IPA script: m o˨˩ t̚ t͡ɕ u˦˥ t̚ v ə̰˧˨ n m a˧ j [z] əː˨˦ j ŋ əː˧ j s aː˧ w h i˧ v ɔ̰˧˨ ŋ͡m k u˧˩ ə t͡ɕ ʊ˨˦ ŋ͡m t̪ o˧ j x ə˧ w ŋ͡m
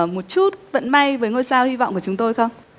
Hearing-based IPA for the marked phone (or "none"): v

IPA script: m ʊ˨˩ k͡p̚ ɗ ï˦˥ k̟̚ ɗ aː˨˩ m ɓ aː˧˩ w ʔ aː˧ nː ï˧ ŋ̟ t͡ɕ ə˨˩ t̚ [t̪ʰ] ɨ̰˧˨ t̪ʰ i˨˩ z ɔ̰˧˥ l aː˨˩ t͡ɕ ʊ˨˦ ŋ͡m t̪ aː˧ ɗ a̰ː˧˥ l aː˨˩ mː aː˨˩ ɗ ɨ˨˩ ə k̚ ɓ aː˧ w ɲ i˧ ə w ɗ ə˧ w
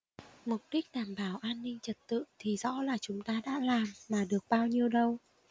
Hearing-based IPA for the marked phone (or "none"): t̪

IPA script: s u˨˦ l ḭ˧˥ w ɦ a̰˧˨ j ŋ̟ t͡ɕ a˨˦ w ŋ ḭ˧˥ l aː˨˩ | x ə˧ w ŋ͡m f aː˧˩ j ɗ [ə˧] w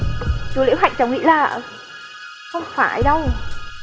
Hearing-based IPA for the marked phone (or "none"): ə˧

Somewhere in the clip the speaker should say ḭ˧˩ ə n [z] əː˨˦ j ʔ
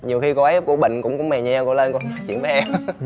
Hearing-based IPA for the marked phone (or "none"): v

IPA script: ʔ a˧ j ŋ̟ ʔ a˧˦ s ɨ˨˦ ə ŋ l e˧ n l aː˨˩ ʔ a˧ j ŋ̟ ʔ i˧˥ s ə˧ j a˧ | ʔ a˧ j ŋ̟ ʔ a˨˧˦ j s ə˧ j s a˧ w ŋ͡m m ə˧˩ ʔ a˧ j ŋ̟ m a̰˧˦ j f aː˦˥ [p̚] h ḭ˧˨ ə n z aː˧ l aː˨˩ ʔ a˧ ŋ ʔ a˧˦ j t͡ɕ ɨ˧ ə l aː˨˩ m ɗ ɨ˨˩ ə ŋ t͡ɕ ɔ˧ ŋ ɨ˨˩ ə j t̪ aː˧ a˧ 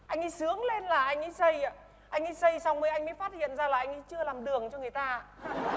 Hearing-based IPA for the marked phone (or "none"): t̚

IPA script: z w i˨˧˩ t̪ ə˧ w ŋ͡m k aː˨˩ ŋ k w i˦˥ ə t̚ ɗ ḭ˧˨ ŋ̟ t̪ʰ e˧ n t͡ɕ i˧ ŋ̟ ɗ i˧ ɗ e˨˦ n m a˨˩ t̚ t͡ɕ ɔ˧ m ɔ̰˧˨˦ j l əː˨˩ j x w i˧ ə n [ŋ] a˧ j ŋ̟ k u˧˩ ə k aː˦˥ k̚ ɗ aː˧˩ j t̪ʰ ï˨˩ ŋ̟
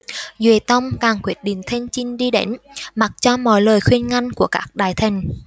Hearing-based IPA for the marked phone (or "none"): ŋ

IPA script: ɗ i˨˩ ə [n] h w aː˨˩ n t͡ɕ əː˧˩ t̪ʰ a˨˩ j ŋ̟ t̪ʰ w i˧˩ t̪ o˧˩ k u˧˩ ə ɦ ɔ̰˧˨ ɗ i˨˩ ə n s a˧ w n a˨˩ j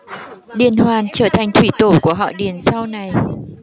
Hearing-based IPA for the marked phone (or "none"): n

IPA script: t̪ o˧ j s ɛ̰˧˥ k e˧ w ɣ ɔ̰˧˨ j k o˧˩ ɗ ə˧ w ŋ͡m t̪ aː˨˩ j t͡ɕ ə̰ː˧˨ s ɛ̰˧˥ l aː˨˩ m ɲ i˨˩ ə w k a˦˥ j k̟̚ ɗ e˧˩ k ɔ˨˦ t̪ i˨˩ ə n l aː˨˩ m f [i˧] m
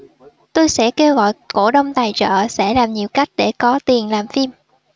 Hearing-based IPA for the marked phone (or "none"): i˧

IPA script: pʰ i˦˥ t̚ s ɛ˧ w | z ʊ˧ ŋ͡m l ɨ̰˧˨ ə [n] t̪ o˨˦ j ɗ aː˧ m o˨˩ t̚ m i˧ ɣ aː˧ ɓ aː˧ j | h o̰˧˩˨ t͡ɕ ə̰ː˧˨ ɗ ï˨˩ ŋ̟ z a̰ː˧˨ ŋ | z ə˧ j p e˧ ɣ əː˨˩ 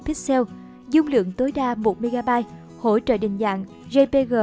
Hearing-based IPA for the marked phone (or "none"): ŋ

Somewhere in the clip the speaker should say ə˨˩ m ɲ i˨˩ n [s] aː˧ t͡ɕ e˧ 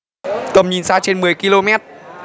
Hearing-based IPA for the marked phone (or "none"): s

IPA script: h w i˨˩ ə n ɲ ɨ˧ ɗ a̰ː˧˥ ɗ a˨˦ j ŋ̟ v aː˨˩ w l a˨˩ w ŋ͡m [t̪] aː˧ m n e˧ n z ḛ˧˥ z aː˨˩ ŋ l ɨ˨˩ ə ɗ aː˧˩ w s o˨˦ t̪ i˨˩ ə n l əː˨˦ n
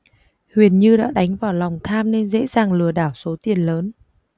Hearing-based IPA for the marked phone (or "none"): t̪ʰ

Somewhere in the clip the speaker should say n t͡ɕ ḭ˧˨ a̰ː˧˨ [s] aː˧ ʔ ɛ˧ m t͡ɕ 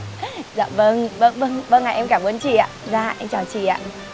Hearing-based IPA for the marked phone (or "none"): z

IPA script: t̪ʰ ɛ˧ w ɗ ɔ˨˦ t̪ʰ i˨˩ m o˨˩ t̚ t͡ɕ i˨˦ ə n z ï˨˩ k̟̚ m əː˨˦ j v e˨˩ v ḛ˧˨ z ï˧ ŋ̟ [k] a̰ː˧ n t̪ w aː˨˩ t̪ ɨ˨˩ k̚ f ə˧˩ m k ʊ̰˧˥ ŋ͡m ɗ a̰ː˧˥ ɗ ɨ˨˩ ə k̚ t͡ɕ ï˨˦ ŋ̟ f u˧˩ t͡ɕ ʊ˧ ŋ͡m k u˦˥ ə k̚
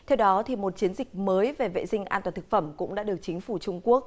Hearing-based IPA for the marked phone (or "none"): ʔ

